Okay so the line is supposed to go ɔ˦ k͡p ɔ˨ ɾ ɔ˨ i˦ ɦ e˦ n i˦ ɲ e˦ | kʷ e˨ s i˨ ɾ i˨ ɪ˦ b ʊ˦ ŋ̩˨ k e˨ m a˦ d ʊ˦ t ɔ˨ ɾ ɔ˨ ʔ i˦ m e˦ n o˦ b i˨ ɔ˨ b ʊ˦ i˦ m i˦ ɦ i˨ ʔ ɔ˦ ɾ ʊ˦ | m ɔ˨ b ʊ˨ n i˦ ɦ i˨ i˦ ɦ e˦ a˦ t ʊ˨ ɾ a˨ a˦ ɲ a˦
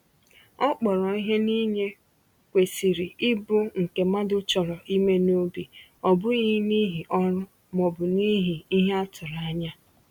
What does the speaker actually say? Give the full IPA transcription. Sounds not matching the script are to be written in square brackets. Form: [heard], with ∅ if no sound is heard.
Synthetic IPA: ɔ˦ k͡p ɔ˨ ɾ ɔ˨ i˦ ɦ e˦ n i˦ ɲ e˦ | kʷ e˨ s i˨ ɾ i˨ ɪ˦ b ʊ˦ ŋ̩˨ k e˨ m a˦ d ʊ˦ [t͡ʃ] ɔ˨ ɾ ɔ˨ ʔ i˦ m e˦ n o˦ b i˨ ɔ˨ b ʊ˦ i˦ [n] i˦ ɦ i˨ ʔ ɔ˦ ɾ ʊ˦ | m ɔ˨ b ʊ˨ n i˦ ɦ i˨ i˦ ɦ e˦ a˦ t ʊ˨ ɾ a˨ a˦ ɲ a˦

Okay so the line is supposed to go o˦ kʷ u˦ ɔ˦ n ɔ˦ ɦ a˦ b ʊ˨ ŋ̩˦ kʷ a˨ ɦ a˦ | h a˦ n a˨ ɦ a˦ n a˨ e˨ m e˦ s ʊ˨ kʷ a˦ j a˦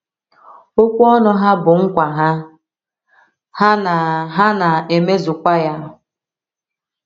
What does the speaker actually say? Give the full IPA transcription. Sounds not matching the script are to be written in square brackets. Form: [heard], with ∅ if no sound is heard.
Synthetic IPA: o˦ kʷ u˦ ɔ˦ n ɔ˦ ɦ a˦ b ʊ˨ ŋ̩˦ kʷ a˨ ɦ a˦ | h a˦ n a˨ ɦ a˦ n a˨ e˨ m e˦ [z] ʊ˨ kʷ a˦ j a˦

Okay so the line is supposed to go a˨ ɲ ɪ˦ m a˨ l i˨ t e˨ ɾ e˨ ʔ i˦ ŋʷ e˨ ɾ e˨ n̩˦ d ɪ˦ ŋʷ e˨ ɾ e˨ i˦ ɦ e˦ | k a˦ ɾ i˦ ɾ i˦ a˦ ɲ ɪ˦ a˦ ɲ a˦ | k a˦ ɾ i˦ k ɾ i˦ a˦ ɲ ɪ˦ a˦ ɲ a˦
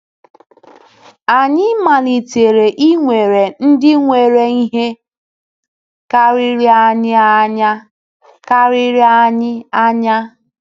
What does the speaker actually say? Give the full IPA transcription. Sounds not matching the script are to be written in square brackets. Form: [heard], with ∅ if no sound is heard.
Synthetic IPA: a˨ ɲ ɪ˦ m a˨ l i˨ t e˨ ɾ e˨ ʔ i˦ ŋʷ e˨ ɾ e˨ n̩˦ d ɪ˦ ŋʷ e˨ ɾ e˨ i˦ ɦ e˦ | k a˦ ɾ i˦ ɾ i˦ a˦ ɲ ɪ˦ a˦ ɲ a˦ | k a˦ ɾ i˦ [∅] ɾ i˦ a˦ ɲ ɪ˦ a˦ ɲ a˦

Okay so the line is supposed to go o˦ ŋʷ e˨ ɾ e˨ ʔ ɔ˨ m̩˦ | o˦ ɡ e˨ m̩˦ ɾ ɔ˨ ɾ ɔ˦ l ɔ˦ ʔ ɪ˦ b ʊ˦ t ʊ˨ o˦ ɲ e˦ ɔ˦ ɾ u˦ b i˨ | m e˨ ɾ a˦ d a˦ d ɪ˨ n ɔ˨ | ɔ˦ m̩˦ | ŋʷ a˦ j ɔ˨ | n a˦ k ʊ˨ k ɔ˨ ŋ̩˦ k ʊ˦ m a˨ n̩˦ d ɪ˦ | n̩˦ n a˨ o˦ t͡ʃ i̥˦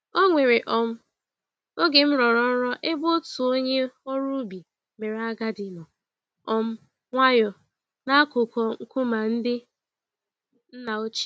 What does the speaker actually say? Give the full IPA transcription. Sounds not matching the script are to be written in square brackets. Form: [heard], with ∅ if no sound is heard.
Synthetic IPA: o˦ ŋʷ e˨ ɾ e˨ ʔ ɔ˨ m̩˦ | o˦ ɡ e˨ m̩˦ ɾ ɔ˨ ɾ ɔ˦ [ɾ] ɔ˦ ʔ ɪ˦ b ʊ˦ t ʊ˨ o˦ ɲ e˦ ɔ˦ ɾ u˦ b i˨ | m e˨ ɾ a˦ [ɡ] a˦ d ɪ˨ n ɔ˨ | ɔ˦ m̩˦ | ŋʷ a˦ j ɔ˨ | n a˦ k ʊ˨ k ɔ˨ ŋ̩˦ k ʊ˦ m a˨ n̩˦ d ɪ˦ | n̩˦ n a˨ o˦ t͡ʃ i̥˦

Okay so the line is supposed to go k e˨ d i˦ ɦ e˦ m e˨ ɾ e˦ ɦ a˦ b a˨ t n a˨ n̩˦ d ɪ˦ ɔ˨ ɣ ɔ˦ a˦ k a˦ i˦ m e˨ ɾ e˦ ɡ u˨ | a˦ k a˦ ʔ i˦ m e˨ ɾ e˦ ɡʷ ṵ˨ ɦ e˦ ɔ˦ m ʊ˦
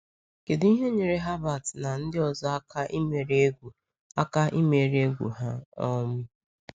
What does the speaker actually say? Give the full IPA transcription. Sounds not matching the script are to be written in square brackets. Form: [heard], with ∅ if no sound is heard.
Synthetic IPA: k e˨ d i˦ ɦ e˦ [ɲ] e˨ ɾ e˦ ɦ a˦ b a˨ t n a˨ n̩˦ d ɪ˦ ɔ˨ [z] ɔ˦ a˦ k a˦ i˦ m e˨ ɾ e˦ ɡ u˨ | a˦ k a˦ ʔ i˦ m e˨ ɾ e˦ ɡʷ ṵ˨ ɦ [a˦] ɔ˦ m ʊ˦

